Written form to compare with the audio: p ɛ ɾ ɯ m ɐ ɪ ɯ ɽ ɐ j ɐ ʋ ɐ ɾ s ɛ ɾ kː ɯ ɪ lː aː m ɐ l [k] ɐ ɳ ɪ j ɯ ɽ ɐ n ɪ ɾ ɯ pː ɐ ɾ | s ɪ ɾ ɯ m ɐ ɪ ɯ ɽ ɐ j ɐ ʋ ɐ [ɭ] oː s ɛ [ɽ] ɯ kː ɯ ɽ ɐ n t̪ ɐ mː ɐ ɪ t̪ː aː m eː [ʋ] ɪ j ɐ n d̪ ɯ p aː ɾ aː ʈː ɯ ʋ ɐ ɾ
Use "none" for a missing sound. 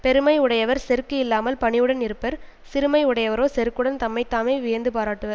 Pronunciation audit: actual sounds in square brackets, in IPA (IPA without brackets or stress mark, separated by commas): p, ɾ, ɾ, ʋ